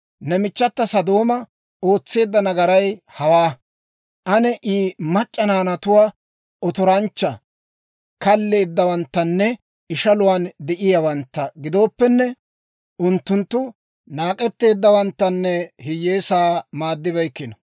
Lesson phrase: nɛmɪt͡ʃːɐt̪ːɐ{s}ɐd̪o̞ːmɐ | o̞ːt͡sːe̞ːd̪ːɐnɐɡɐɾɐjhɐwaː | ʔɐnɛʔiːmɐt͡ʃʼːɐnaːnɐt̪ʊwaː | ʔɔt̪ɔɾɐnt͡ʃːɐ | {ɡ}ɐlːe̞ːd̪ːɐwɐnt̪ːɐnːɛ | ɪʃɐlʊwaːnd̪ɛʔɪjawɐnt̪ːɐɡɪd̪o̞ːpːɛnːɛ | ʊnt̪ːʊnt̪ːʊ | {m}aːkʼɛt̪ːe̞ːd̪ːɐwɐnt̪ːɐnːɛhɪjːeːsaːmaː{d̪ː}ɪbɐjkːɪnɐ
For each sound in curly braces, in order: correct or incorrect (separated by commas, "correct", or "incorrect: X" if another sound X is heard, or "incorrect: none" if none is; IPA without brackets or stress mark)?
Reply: correct, incorrect: k, incorrect: n, correct